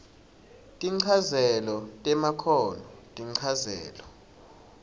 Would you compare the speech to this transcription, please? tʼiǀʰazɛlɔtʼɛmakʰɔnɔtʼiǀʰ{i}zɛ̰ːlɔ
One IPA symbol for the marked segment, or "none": a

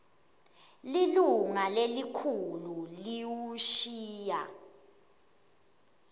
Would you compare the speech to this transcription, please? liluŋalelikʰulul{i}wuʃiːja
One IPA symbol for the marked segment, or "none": i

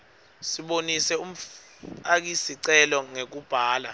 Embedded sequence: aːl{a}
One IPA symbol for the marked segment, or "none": a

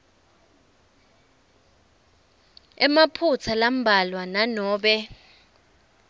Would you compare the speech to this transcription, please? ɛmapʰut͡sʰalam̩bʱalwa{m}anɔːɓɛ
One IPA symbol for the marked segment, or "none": n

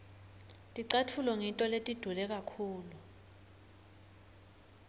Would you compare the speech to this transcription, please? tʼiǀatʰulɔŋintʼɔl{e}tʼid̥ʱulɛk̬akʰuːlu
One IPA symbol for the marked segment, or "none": e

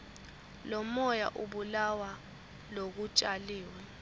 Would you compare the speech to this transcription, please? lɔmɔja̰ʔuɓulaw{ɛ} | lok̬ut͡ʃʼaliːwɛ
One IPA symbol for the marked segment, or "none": a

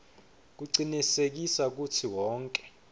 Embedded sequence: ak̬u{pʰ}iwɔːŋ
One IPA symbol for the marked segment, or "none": tʰ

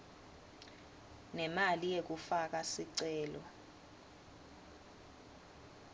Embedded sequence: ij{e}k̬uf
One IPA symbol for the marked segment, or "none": e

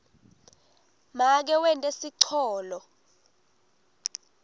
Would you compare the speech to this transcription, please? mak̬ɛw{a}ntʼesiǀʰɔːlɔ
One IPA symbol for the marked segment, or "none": ɛ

